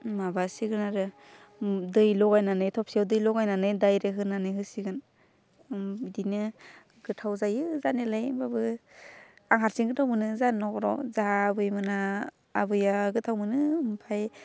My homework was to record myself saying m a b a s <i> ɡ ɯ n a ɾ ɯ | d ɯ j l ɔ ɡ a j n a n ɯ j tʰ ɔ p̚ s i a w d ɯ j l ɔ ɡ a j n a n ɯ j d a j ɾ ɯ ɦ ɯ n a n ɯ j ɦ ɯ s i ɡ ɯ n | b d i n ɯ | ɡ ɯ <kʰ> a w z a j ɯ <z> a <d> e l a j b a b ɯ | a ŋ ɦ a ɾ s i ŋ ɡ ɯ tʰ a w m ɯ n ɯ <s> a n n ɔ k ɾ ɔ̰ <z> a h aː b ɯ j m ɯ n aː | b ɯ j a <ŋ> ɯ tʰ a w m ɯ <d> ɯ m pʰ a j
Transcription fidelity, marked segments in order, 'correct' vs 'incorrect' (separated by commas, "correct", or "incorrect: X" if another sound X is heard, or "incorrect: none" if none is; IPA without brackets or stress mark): correct, incorrect: tʰ, correct, incorrect: n, incorrect: z, correct, incorrect: ɡ, incorrect: n